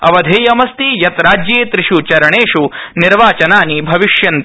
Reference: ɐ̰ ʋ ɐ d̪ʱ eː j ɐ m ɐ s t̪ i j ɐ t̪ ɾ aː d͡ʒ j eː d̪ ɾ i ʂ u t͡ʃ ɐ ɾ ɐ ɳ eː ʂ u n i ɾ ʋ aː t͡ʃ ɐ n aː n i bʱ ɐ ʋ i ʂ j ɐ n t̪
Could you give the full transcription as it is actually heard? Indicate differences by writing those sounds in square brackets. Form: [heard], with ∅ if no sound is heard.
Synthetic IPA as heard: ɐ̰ ʋ ɐ d̪ʱ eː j ɐ m ɐ s t̪ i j ɐ t̪ ɾ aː d͡ʒ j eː [t̪] ɾ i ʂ u t͡ʃ ɐ ɾ ɐ ɳ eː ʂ u n i ɾ ʋ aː t͡ʃ ɐ n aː n i bʱ ɐ ʋ i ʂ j ɐ n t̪